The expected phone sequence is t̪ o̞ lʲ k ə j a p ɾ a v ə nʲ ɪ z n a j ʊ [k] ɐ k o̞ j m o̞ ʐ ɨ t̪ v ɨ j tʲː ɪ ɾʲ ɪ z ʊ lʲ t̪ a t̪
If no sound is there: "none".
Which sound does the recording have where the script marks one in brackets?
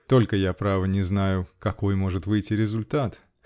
k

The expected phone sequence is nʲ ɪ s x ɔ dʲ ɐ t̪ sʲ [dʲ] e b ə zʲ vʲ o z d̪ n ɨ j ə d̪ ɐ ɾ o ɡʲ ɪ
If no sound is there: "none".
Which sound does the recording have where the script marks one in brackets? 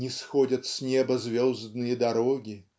nʲ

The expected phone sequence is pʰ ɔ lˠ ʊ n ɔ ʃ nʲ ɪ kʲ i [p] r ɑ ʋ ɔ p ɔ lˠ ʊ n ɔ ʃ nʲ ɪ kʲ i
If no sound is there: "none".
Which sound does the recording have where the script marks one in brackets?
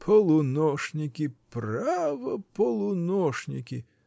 p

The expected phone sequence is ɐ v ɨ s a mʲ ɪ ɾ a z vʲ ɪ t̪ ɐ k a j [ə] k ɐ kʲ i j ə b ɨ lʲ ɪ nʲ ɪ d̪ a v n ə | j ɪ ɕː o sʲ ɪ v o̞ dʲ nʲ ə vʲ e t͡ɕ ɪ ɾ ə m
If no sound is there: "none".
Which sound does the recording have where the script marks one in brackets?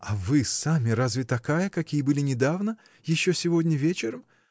ə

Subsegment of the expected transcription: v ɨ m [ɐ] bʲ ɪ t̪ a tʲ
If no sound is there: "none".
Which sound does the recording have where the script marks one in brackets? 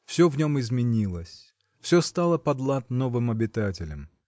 ɐ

